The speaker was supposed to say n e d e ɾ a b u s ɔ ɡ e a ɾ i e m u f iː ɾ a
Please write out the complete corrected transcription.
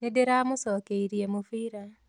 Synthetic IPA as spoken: n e d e ɾ a m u s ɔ k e i ɾ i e m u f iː ɾ a